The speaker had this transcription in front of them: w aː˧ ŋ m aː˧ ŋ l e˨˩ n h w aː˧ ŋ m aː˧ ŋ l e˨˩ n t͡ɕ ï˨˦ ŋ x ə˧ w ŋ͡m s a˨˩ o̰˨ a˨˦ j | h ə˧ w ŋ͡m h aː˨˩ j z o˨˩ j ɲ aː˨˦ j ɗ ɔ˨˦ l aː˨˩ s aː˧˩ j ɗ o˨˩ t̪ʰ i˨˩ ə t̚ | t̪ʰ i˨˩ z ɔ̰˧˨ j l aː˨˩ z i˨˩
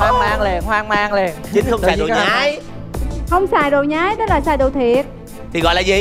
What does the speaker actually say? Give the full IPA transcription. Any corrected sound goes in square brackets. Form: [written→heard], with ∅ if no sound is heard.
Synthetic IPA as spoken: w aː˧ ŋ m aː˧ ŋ l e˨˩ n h w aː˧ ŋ m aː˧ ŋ l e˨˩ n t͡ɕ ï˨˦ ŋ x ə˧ w ŋ͡m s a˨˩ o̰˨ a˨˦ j | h ə˧ w ŋ͡m [h→s] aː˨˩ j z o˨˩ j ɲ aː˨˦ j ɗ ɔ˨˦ l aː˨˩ s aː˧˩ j ɗ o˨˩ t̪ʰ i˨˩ ə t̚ | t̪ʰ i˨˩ [z→ɣ] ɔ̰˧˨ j l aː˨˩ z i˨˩

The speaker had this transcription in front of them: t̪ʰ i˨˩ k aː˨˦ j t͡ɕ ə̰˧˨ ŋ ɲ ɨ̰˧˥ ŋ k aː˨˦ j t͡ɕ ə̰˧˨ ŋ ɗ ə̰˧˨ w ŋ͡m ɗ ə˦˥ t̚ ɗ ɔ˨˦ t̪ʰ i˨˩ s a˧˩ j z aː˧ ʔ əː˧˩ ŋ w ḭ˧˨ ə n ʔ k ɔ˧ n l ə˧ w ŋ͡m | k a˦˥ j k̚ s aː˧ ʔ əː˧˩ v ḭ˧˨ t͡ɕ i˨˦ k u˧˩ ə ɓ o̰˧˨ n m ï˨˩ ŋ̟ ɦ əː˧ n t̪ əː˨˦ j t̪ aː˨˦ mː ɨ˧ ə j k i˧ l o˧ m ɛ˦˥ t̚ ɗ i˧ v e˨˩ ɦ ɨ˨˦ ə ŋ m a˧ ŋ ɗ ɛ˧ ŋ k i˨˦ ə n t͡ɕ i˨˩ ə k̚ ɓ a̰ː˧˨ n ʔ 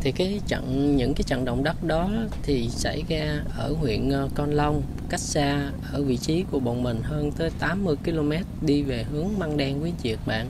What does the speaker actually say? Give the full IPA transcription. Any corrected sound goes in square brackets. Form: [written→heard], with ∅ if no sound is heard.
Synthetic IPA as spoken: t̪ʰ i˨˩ k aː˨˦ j t͡ɕ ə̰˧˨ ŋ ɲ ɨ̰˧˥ ŋ k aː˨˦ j t͡ɕ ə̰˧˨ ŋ ɗ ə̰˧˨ w ŋ͡m ɗ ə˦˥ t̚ ɗ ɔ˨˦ t̪ʰ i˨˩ s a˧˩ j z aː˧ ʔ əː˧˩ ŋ w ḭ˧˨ ə n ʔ k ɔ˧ n l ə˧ w ŋ͡m | k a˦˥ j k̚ s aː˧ ʔ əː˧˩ v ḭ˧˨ t͡ɕ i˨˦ k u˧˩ ə ɓ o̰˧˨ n m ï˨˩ ŋ̟ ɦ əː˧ n t̪ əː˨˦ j t̪ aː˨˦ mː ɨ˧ ə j k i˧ l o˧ m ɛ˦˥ t̚ ɗ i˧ v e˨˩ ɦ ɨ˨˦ ə ŋ m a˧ ŋ ɗ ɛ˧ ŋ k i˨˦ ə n t͡ɕ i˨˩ ə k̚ ɓ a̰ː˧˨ n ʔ

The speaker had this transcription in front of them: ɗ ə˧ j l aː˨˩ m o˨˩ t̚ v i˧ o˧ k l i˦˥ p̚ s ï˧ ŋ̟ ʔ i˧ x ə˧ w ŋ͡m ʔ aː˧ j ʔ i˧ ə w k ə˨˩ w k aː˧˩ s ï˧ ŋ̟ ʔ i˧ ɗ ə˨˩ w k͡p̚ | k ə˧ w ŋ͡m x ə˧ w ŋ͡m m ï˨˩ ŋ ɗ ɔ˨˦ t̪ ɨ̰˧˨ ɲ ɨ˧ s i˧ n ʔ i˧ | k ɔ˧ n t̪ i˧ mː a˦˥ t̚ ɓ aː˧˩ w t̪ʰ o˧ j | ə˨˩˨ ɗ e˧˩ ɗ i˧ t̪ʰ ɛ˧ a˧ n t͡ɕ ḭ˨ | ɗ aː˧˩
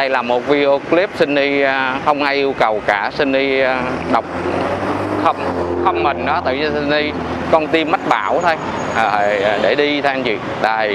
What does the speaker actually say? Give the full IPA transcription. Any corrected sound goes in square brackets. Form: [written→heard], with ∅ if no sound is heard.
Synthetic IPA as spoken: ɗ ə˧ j l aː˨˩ m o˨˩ t̚ v i˧ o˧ k l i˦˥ p̚ s ï˧ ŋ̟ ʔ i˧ x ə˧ w ŋ͡m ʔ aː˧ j ʔ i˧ ə w k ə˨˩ w k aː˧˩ s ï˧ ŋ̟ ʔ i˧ ɗ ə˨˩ w k͡p̚ | [k→x] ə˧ w ŋ͡m x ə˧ w ŋ͡m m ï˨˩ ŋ ɗ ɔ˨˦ t̪ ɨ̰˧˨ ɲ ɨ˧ s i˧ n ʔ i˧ | k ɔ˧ n t̪ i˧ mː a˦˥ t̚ ɓ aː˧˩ w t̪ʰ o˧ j | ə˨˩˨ ɗ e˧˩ ɗ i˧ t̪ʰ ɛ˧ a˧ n t͡ɕ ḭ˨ | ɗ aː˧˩

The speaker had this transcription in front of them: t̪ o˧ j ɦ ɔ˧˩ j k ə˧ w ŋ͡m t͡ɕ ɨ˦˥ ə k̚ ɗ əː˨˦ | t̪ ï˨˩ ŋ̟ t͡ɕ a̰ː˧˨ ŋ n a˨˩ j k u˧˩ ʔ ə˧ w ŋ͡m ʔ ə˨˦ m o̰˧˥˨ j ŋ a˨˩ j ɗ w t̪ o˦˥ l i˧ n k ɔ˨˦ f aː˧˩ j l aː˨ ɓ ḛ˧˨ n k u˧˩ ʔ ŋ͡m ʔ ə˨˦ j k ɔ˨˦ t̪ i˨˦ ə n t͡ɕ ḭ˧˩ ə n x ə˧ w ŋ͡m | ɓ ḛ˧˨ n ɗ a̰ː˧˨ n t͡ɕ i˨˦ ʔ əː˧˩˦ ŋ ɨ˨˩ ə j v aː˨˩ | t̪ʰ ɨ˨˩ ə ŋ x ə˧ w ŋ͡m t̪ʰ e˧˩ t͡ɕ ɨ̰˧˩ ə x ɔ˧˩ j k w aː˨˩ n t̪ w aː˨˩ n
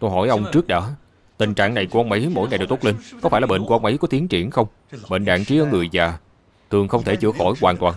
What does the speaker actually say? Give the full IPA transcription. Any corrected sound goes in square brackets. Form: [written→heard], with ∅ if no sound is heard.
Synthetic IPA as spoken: t̪ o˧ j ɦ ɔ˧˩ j [k→ʔ] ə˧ w ŋ͡m t͡ɕ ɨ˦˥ ə k̚ ɗ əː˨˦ | t̪ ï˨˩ ŋ̟ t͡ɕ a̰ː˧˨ ŋ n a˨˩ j k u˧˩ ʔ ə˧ w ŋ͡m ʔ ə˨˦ m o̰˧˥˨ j ŋ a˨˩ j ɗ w t̪ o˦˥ l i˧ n k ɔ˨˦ f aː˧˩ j l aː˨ ɓ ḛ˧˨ n k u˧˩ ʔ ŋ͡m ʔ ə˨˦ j k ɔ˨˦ t̪ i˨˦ ə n t͡ɕ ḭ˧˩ ə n x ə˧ w ŋ͡m | ɓ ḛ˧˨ n ɗ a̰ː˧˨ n t͡ɕ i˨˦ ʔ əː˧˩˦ ŋ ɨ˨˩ ə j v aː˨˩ | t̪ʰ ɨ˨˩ ə ŋ x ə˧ w ŋ͡m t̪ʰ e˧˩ t͡ɕ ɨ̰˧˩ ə x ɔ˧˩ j k w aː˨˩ n t̪ w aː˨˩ n

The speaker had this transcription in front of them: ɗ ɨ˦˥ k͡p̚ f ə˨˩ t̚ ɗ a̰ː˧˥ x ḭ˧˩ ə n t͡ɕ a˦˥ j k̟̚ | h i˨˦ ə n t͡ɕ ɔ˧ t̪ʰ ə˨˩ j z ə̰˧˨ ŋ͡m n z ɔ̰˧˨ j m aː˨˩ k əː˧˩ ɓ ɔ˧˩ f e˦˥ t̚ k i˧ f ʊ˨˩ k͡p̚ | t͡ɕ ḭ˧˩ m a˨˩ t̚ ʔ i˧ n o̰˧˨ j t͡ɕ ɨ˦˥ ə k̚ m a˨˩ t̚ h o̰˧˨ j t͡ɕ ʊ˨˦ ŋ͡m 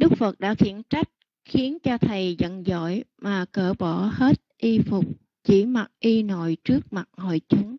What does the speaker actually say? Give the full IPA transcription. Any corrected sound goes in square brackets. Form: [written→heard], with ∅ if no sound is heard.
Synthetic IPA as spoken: ɗ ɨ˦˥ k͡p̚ f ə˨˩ t̚ ɗ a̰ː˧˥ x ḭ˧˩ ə n t͡ɕ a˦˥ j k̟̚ | [h→x] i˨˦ ə n t͡ɕ ɔ˧ t̪ʰ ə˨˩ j z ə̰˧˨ [ŋ͡m→∅] n z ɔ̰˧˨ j m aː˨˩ k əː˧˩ ɓ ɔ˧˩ [f→h] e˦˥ t̚ [k→ʔ] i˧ f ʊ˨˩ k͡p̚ | t͡ɕ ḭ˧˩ m a˨˩ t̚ ʔ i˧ n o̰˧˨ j t͡ɕ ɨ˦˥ ə k̚ m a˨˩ t̚ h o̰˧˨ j t͡ɕ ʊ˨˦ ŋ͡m

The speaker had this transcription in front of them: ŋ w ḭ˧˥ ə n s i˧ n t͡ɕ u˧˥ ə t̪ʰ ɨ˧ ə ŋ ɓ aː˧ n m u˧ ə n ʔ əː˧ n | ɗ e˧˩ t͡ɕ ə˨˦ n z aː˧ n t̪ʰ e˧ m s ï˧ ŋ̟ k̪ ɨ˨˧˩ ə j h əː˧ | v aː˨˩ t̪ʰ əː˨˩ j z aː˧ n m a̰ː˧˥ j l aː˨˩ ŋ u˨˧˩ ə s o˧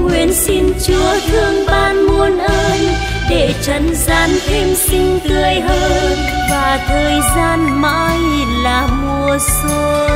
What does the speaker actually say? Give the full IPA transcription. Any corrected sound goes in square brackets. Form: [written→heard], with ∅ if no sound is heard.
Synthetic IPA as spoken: ŋ w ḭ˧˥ ə n s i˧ n t͡ɕ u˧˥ ə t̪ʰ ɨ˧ ə ŋ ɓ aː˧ n m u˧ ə n ʔ əː˧ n | ɗ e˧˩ t͡ɕ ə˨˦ n z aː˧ n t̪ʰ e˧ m s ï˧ ŋ̟ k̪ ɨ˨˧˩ ə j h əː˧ | v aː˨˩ t̪ʰ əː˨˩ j z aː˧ n m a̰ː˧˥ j l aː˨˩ [ŋ→m] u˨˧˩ ə s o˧

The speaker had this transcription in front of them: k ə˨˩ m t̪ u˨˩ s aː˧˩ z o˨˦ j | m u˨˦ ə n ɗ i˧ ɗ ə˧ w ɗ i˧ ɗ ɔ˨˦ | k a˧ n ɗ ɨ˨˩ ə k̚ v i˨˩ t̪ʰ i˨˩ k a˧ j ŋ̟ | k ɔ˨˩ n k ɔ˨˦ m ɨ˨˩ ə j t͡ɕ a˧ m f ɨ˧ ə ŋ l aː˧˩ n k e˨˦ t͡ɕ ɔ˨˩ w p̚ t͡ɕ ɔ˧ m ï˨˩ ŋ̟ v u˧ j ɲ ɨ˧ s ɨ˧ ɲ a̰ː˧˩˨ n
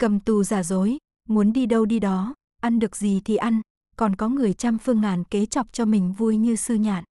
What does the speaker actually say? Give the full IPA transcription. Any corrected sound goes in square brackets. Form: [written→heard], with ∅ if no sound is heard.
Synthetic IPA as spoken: k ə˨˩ m t̪ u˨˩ [s→z] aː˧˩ z o˨˦ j | m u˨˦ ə n ɗ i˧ ɗ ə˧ w ɗ i˧ ɗ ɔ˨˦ | [k→ʔ] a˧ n ɗ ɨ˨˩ ə k̚ [v→z] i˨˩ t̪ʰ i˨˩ [k→ʔ] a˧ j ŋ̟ | k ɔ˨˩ n k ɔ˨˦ [m→ŋ] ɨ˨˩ ə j t͡ɕ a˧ m f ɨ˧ ə ŋ l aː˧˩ n k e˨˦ t͡ɕ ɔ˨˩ w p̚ t͡ɕ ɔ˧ m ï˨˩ ŋ̟ v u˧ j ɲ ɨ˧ s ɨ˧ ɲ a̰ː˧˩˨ n

